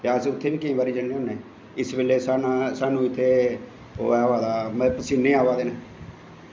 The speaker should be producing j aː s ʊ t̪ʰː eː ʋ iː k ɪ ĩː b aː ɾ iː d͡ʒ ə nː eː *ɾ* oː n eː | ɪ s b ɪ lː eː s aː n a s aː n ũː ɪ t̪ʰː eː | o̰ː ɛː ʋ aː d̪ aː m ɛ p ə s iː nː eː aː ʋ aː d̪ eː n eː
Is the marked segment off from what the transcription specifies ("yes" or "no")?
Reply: yes